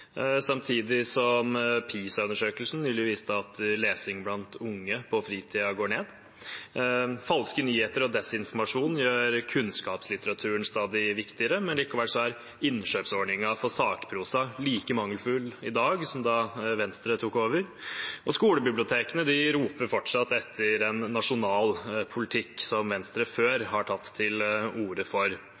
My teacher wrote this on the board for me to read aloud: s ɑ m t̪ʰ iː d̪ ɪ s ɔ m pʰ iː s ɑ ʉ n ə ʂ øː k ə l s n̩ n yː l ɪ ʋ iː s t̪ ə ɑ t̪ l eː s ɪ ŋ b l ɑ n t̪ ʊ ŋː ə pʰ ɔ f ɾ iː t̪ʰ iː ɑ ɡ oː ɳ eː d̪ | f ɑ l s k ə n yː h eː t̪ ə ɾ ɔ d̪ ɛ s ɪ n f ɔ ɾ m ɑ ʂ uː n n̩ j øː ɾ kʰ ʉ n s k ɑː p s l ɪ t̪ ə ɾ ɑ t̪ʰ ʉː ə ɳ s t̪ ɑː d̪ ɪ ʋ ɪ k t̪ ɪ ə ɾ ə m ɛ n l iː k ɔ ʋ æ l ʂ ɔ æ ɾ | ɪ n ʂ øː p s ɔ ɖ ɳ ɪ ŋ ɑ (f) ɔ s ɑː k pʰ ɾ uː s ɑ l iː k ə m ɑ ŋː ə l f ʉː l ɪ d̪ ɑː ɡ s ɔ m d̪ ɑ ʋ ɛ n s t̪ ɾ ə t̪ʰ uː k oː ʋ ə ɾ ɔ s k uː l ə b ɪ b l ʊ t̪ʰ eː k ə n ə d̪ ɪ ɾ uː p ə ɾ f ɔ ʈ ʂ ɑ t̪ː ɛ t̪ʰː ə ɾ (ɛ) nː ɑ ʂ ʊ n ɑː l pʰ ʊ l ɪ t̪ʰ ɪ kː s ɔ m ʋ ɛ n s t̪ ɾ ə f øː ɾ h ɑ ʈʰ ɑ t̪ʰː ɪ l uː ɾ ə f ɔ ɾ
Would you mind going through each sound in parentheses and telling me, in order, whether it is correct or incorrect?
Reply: correct, correct

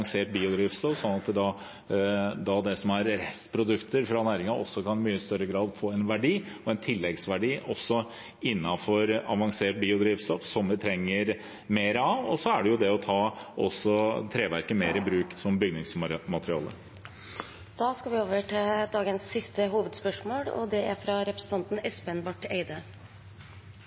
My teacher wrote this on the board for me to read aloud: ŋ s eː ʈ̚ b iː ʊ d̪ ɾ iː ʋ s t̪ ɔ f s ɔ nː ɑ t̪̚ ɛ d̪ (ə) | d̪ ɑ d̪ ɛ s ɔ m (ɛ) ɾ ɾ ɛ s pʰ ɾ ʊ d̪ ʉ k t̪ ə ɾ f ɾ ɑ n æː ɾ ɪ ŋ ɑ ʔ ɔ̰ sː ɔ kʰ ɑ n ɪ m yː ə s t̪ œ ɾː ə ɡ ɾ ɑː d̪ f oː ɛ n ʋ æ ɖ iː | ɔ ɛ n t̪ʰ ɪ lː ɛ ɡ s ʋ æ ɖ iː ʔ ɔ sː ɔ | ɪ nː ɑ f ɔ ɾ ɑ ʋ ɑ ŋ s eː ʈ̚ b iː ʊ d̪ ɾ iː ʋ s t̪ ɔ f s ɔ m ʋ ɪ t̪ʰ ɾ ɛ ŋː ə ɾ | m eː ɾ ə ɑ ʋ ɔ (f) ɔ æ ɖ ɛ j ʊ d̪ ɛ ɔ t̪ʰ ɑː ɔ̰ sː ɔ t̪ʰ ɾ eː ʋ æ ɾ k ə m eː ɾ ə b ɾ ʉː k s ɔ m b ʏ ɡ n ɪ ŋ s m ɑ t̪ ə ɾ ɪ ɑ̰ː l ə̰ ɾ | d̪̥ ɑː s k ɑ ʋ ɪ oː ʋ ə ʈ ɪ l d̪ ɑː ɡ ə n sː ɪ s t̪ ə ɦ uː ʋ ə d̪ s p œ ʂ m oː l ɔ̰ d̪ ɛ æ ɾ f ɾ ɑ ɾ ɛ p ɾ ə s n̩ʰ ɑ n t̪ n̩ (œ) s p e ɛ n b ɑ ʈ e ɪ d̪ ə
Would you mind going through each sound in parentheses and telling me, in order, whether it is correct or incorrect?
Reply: incorrect: ɑ, incorrect: æ, incorrect: s, incorrect: ɛ

